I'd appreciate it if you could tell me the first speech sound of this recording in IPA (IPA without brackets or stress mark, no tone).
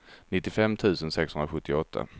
n